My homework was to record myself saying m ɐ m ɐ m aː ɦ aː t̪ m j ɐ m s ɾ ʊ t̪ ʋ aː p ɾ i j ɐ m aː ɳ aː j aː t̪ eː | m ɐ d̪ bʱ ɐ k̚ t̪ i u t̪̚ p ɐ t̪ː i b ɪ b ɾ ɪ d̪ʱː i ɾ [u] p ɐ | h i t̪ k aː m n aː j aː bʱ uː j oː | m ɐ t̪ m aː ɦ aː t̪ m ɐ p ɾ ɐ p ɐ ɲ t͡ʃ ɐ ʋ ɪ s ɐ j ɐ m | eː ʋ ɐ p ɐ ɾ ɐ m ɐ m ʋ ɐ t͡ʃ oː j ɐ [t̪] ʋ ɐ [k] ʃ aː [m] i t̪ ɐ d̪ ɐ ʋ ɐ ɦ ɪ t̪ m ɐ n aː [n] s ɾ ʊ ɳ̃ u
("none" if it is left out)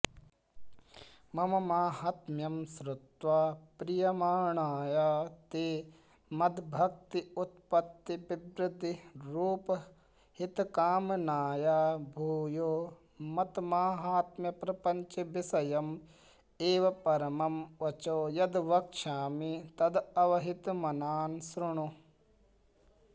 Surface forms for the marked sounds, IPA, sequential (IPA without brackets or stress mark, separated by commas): uː, d̪, k, m, n